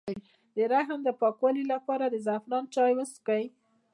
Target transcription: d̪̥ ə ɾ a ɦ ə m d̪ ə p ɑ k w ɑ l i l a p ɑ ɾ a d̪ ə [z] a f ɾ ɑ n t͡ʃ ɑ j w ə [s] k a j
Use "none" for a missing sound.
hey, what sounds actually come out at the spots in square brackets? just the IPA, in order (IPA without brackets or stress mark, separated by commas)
z, s